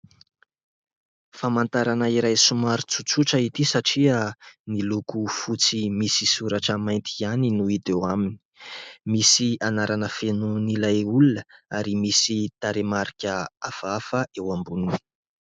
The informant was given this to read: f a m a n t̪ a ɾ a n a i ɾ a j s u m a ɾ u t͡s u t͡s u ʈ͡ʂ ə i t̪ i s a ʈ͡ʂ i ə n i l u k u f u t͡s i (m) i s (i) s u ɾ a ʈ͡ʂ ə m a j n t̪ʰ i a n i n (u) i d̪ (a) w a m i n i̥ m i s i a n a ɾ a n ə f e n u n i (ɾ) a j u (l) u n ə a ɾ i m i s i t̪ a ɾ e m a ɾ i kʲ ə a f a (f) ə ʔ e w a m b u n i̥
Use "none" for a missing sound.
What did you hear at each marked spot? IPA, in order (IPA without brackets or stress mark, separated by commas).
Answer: m, i, u, e, l, l, f